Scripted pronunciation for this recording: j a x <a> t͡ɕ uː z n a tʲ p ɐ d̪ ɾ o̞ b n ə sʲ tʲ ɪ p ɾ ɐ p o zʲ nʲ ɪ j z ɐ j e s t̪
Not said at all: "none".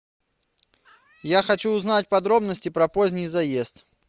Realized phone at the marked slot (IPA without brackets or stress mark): ɐ